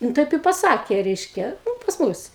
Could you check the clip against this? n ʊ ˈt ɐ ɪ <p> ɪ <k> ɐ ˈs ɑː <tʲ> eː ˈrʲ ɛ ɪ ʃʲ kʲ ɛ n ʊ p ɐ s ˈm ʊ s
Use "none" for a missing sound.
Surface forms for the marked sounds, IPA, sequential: p, p, kʲ

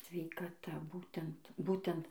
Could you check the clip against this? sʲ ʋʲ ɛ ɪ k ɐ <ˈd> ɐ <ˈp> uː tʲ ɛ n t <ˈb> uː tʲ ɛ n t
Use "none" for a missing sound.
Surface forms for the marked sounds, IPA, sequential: t, b, b

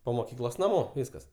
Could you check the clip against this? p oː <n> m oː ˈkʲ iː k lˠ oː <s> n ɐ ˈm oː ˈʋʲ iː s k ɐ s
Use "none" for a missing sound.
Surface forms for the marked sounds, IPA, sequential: none, s

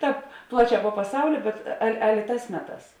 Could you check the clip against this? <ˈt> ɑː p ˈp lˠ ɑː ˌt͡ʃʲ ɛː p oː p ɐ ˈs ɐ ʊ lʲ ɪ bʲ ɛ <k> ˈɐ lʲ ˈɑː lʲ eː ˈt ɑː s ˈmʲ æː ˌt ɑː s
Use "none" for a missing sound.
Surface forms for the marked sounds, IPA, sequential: t, t

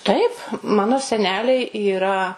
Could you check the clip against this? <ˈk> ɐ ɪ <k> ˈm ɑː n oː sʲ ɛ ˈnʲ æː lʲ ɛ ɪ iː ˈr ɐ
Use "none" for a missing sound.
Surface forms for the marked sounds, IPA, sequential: t, p

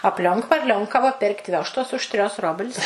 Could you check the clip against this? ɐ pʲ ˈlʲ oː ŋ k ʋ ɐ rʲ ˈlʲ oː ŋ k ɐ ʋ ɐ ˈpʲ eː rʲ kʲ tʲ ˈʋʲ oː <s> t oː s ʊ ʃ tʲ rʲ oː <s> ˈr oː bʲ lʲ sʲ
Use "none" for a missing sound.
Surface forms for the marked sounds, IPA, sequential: ʃ, s

